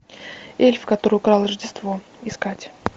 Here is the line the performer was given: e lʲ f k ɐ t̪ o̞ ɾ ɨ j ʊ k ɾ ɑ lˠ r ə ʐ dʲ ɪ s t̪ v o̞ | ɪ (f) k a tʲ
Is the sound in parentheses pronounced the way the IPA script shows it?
no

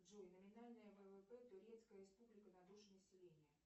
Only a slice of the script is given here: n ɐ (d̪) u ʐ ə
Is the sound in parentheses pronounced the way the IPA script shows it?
yes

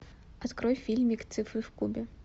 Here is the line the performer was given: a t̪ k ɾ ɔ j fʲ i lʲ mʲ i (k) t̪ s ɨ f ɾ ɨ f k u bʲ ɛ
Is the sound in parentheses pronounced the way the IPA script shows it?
yes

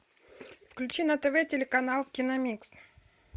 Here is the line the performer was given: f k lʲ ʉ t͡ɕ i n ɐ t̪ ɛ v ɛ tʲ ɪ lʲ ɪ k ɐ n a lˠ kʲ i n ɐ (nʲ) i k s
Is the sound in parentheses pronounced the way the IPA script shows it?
no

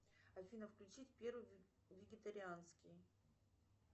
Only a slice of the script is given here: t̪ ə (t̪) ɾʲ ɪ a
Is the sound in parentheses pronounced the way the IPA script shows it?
no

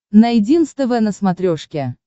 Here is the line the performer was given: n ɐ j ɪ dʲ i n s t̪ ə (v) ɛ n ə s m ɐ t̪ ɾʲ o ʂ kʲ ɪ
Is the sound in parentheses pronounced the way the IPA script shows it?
yes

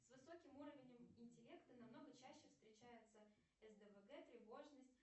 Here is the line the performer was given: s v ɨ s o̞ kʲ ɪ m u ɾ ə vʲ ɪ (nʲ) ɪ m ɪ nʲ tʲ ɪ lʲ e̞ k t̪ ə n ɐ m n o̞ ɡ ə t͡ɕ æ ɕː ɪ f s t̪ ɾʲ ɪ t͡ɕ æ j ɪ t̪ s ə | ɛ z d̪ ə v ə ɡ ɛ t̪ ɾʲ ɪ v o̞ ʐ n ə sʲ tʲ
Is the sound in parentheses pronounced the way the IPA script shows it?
yes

